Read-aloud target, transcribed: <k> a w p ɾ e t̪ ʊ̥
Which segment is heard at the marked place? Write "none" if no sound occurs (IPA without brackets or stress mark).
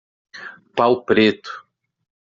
p